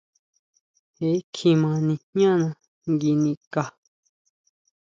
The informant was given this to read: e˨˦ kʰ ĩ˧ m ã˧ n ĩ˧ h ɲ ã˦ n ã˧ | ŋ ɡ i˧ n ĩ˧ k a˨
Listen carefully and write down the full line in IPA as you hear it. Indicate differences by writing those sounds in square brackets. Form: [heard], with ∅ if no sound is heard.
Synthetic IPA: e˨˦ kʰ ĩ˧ m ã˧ n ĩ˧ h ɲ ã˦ n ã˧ | ŋ ɡ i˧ n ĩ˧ k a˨